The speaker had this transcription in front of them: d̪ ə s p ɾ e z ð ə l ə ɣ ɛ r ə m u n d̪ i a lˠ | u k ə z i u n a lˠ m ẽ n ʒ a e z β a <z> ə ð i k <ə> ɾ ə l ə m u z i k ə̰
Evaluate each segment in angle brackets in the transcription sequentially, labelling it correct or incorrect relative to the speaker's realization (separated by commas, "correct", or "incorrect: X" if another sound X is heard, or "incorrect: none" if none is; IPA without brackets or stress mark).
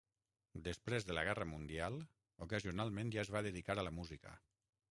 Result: incorrect: ð, incorrect: a